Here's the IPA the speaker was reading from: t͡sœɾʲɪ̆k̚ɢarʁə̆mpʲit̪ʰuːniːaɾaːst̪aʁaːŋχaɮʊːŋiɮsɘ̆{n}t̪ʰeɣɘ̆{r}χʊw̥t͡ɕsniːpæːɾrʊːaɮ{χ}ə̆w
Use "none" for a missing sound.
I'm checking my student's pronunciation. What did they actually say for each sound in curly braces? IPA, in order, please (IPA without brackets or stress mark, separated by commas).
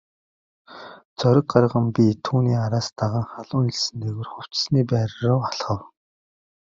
n, r, χ